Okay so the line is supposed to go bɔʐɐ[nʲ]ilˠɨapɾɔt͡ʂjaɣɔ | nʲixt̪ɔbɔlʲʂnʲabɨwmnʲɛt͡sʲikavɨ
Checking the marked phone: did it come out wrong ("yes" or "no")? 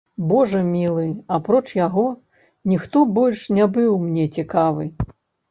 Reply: yes